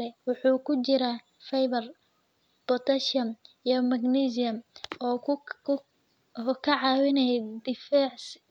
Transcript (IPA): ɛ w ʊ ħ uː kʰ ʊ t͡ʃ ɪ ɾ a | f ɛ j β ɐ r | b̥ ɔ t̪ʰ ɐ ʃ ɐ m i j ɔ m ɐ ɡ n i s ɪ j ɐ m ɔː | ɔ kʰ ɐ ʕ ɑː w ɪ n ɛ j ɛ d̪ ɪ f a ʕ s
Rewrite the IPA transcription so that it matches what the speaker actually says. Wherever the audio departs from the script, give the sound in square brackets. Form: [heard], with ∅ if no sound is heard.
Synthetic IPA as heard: ɛ w ʊ ħ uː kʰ ʊ t͡ʃ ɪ ɾ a | f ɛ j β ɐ r | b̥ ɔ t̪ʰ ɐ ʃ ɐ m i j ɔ m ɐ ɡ n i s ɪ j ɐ m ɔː | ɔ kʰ ɐ ʕ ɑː w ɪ n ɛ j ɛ d̪ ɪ f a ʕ s